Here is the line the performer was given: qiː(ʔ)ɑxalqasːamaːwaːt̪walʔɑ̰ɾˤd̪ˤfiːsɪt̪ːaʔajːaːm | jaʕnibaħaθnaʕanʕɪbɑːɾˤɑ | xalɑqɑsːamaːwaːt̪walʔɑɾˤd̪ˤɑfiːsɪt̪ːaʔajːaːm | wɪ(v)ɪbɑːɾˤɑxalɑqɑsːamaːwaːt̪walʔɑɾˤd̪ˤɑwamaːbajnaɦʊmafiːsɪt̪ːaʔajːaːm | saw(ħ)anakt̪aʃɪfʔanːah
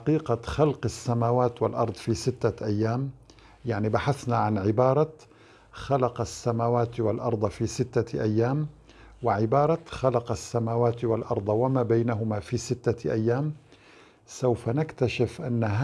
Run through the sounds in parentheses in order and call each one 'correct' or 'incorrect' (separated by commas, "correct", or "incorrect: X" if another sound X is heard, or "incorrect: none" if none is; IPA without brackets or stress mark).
incorrect: q, incorrect: ʕ, incorrect: f